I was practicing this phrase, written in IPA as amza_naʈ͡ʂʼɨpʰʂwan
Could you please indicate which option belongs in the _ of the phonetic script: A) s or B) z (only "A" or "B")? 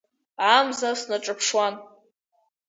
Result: A